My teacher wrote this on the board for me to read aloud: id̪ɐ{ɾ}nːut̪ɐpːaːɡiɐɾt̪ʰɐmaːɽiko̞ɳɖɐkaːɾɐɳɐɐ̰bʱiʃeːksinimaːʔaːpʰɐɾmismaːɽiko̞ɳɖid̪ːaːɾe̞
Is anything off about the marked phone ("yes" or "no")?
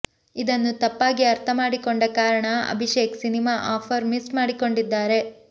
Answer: yes